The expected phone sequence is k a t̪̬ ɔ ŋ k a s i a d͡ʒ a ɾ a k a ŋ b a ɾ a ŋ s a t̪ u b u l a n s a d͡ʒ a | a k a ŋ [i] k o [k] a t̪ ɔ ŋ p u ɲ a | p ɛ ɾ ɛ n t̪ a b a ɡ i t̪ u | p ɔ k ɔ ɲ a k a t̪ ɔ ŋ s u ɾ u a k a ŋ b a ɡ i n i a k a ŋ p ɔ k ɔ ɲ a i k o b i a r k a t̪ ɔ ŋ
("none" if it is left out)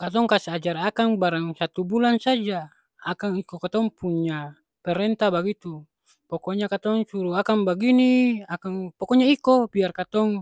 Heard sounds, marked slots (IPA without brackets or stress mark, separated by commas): i, k